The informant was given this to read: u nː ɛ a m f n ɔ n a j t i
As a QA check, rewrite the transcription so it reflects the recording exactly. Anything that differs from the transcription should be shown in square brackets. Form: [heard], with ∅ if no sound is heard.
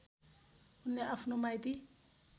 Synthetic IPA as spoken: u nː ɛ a [∅] f n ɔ [m] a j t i